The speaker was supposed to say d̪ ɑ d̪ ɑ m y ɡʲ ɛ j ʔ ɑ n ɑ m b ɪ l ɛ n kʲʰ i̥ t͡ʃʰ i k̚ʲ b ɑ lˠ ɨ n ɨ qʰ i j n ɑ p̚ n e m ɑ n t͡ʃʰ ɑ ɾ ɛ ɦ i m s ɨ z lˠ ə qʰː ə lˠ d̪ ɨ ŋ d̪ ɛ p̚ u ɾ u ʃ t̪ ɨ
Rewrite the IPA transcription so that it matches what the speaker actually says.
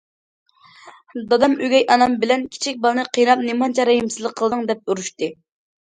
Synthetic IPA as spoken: d̪ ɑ d̪ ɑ m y ɡʲ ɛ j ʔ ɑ n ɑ m b ɪ l ɛ n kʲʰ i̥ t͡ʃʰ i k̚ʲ b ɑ lˠ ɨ n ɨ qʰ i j n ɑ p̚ n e m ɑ n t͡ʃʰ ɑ ɾ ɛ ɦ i m s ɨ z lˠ ə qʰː ə lˠ d̪ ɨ ŋ d̪ ɛ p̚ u ɾ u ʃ t̪ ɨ